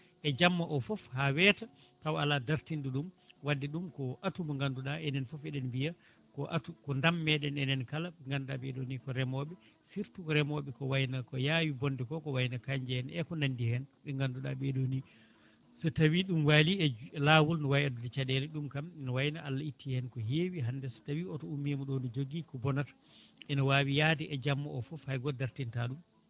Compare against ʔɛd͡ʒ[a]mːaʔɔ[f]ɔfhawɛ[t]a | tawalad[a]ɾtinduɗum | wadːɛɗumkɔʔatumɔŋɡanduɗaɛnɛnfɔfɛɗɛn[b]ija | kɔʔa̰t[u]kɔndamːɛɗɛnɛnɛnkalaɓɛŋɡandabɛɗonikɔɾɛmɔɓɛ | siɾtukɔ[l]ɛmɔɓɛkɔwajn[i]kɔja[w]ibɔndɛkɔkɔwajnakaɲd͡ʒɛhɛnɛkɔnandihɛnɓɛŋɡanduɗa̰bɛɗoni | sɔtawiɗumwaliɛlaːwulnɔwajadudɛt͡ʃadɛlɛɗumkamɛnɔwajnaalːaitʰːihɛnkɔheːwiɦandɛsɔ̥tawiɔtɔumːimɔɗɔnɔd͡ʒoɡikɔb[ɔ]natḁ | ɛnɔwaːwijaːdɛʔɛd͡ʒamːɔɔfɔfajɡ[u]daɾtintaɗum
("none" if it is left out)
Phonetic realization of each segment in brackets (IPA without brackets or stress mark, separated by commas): a, f, t, a, b, u, ɾ, a, w, ɔ, ɔ